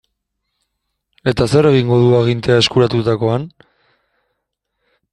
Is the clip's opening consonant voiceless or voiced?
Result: voiceless